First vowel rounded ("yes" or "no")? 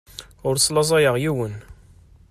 yes